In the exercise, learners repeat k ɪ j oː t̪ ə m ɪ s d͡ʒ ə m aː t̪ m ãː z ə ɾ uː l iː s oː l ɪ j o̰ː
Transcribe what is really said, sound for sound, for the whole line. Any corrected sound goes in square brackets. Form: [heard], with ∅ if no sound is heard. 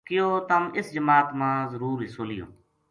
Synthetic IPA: k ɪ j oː t̪ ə m ɪ s d͡ʒ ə m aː t̪ m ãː z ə ɾ uː [ɾ] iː s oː l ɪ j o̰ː